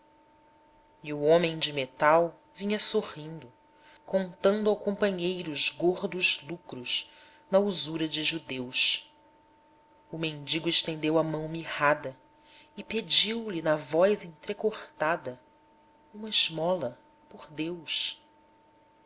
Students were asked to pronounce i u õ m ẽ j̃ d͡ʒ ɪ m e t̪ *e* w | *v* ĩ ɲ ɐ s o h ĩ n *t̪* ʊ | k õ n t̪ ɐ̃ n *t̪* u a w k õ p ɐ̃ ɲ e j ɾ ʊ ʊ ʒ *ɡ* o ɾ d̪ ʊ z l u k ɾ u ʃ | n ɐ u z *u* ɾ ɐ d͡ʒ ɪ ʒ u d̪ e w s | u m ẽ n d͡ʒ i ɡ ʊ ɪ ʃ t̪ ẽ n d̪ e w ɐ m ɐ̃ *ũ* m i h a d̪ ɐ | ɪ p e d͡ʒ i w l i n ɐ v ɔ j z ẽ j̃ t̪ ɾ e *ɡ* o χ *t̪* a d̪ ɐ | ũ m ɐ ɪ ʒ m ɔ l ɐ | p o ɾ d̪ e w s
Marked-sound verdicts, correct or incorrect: incorrect: a, correct, incorrect: d̪, incorrect: d̪, correct, correct, incorrect: w̃, incorrect: k, correct

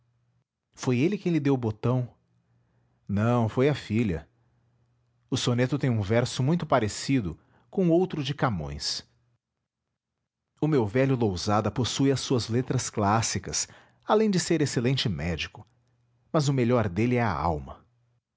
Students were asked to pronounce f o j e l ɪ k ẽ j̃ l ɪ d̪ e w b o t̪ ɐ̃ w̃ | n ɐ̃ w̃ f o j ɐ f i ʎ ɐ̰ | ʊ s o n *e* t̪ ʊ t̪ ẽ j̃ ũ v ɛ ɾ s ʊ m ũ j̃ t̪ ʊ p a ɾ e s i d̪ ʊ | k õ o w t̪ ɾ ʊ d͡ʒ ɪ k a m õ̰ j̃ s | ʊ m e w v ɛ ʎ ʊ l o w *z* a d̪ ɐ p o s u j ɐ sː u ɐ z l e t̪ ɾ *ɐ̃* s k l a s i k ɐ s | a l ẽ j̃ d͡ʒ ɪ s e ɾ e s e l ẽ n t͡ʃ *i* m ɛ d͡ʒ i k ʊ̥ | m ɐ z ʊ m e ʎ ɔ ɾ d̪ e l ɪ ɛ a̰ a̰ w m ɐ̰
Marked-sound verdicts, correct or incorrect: correct, correct, incorrect: ɐ, incorrect: ɪ

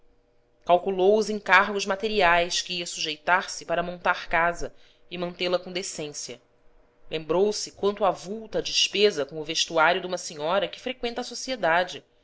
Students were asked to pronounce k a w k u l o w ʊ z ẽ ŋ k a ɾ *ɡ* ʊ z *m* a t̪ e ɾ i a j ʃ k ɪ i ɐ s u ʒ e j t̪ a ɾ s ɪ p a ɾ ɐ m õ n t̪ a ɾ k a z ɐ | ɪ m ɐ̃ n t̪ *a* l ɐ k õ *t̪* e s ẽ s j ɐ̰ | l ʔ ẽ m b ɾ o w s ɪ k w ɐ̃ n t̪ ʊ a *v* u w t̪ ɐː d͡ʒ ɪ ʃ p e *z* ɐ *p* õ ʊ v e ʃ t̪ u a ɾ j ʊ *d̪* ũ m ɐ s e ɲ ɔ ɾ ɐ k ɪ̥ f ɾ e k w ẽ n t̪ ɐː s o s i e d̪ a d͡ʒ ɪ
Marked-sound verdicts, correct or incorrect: correct, correct, incorrect: e, incorrect: d̪, correct, correct, incorrect: k, correct

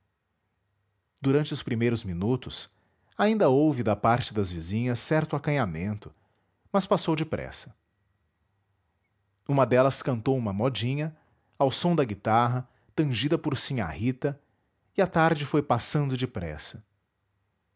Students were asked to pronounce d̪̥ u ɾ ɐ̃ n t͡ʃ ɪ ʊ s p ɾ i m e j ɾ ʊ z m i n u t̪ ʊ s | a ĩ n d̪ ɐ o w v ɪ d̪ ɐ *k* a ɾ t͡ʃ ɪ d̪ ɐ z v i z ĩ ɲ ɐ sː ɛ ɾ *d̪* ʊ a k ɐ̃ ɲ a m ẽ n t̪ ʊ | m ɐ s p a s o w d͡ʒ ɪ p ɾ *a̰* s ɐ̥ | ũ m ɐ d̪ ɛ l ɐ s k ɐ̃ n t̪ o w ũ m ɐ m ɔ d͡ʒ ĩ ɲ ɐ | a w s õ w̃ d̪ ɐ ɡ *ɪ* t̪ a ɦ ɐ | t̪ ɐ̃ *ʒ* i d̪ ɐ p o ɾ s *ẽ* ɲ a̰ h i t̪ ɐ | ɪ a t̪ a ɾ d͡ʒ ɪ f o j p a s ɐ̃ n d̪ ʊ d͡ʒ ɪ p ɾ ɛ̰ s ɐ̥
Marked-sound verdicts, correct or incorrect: incorrect: p, incorrect: t̪, incorrect: ɛ̰, incorrect: i, correct, incorrect: ĩ

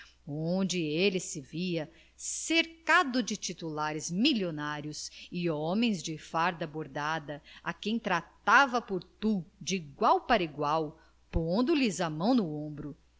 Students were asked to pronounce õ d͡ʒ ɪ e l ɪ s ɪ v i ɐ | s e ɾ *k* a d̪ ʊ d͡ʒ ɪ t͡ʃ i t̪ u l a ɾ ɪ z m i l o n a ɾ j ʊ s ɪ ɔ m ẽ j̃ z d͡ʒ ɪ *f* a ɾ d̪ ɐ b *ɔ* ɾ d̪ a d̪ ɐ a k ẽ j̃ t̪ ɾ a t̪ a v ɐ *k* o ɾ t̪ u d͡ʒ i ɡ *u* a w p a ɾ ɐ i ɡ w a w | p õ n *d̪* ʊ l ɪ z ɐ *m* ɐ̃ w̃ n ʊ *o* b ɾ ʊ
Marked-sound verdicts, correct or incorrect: correct, correct, incorrect: o, incorrect: p, incorrect: w, correct, correct, incorrect: õ

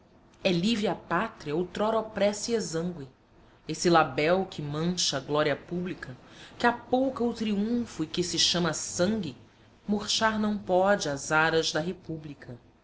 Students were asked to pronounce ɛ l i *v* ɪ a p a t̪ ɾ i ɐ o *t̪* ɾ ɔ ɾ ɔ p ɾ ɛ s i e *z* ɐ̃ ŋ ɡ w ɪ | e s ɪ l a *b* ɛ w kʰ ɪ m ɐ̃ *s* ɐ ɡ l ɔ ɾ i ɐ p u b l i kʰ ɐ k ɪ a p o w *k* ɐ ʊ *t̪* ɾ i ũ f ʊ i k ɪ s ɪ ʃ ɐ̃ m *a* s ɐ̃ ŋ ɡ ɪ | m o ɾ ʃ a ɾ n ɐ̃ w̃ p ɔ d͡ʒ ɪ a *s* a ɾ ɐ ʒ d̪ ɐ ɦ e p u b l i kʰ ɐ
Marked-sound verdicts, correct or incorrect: correct, correct, correct, correct, incorrect: ʃ, correct, correct, incorrect: ɐ, incorrect: z

